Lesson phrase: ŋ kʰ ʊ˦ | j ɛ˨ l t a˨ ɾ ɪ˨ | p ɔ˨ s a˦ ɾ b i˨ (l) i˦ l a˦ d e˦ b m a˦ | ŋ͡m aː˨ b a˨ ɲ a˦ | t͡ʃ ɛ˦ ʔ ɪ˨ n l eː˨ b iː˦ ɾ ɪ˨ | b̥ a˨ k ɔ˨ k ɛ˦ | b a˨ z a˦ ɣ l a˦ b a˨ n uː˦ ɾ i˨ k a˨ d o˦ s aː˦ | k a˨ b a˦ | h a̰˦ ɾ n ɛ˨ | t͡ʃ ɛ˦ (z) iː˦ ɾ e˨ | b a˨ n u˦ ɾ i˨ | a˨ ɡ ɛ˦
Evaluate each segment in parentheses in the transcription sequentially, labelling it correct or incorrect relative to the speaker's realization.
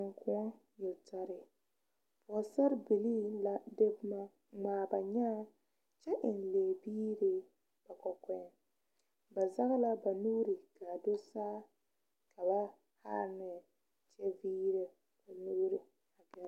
correct, incorrect: v

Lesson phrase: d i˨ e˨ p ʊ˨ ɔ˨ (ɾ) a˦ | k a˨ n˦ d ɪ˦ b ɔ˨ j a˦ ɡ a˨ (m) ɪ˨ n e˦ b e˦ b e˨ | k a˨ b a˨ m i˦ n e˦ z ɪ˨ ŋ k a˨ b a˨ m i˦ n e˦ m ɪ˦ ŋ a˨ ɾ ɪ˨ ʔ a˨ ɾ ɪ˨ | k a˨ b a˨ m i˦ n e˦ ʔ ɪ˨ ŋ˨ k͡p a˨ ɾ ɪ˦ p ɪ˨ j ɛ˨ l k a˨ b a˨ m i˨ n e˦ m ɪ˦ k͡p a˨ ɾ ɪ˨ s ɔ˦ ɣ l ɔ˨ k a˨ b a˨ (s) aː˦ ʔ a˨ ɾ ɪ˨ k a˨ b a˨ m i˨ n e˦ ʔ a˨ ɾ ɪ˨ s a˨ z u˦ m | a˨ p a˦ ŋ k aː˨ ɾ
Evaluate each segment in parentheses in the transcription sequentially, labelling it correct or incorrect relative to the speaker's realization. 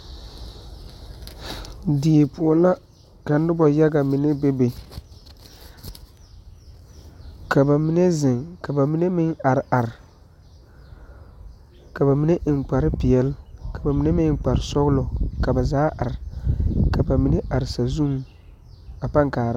incorrect: l, correct, incorrect: z

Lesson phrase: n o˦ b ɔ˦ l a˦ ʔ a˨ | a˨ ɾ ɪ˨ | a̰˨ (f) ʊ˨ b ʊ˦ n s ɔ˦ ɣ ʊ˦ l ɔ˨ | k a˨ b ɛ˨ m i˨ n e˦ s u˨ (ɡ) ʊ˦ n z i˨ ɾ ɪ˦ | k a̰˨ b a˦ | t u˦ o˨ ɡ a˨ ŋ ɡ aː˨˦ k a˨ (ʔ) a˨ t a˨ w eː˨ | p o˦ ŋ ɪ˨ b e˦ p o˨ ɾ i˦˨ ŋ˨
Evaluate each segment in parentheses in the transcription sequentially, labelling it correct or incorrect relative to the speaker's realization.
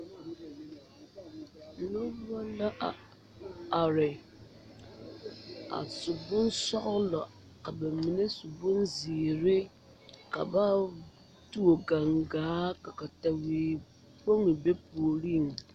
incorrect: s, incorrect: b, incorrect: k

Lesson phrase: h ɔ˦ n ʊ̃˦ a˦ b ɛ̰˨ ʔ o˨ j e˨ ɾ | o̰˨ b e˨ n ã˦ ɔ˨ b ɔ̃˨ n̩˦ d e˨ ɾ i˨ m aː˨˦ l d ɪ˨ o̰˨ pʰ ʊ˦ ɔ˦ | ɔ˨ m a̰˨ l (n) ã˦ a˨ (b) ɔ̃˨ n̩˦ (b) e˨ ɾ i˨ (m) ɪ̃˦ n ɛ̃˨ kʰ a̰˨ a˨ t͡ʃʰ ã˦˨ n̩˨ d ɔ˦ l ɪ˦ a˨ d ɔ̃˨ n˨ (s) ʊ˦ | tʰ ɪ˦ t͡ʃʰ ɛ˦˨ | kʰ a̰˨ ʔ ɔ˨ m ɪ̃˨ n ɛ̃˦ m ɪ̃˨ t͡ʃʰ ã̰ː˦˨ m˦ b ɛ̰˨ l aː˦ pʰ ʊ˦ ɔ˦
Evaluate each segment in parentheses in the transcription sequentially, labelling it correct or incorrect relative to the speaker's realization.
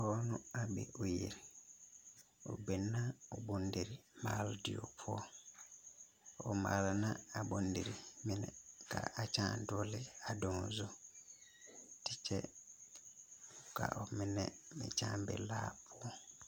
correct, correct, incorrect: d, correct, incorrect: z

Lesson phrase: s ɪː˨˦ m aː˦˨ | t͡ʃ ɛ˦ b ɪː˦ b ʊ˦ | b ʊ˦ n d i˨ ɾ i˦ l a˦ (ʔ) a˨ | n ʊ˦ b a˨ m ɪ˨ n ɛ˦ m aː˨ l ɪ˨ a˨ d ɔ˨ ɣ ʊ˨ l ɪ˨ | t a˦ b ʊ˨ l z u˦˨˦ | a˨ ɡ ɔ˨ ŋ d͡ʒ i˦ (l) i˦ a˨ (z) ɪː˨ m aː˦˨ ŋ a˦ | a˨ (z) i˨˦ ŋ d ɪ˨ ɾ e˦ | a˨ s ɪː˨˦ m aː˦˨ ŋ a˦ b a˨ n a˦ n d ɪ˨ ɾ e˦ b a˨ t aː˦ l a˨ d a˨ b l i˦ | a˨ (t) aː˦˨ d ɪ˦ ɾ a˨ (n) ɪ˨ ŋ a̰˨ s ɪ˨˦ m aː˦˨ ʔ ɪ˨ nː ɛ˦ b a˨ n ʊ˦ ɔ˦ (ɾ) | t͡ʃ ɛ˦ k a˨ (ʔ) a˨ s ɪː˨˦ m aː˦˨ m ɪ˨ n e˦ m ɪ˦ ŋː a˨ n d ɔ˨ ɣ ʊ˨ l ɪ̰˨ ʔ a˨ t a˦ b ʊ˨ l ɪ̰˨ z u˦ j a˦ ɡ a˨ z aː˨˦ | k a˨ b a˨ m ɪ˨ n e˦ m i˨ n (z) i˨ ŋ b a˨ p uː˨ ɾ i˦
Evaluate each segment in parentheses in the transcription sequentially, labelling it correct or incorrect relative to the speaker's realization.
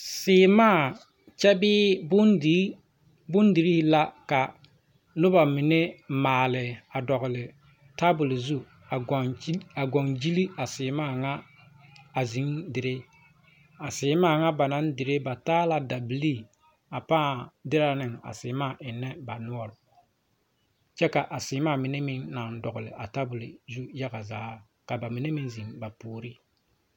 incorrect: k, correct, incorrect: s, correct, incorrect: p, correct, correct, correct, correct

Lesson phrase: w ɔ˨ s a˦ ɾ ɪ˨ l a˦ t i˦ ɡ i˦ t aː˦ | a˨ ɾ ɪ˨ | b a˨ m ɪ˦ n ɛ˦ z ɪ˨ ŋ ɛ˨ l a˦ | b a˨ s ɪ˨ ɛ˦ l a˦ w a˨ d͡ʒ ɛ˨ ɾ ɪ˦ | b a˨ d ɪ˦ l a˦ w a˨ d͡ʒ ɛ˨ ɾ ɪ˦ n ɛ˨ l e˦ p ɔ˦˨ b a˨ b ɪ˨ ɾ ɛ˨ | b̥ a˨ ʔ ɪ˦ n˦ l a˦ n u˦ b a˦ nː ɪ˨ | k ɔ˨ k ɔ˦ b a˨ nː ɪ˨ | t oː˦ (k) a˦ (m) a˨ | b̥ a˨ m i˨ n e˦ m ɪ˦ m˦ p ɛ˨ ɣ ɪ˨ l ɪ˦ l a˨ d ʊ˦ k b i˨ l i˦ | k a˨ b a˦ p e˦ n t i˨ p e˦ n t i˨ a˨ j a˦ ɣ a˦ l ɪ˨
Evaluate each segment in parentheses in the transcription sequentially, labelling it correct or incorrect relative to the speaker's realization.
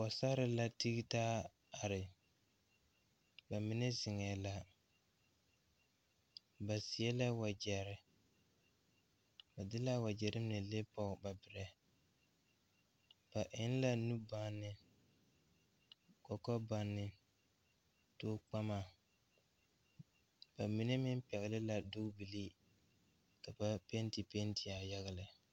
incorrect: k͡p, correct

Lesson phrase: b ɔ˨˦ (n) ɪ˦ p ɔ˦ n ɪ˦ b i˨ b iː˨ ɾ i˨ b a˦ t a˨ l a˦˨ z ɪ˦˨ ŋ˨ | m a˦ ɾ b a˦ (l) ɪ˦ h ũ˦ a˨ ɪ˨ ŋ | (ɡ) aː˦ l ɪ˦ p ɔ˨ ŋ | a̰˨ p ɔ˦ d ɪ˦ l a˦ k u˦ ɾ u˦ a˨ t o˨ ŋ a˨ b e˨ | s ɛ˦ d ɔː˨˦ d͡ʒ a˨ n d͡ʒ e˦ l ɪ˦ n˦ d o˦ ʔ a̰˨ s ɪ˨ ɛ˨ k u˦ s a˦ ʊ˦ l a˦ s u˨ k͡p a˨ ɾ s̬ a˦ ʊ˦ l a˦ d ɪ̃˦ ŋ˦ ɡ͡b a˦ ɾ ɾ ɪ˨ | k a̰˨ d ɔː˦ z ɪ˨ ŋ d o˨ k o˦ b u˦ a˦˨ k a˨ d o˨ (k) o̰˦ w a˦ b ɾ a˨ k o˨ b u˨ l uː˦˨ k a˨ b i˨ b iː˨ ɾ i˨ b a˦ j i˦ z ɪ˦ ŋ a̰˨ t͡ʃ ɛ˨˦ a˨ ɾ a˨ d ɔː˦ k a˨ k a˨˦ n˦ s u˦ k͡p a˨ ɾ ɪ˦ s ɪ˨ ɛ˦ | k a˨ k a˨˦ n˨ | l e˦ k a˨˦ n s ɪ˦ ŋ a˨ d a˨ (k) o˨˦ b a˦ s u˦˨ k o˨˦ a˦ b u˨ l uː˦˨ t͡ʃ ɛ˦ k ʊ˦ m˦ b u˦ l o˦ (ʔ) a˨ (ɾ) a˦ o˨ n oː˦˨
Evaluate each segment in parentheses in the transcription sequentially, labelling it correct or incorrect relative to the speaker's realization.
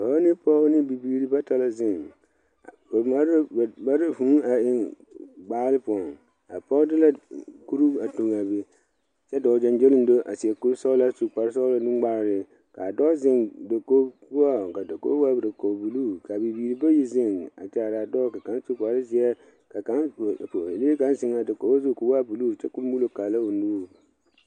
correct, incorrect: ɾ, incorrect: ɡ͡b, correct, correct, incorrect: k, incorrect: l

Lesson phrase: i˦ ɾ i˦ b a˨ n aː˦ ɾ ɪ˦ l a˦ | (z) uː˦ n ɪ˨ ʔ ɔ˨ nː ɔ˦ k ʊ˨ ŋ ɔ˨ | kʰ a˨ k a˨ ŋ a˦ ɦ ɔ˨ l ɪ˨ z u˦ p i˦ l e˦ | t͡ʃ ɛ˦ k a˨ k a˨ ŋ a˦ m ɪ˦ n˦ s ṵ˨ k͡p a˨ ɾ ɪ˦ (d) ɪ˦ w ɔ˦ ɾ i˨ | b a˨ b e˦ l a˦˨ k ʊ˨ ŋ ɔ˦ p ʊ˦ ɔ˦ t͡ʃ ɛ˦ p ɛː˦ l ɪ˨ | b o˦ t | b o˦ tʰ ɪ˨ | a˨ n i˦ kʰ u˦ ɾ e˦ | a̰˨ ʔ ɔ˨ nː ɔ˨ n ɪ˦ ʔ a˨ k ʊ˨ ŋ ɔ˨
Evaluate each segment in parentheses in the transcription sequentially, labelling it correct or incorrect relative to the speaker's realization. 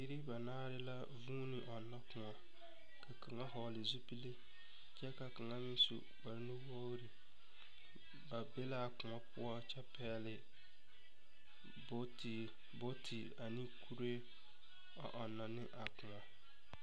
incorrect: v, incorrect: n

